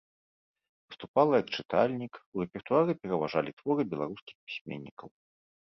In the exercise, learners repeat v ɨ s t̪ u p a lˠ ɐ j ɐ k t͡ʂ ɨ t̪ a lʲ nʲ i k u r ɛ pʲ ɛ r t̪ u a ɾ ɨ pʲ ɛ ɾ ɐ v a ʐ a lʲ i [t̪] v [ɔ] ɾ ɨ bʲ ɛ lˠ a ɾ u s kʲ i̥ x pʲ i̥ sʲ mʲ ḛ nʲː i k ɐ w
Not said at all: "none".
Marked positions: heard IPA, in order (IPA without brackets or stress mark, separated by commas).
t̪, ɔ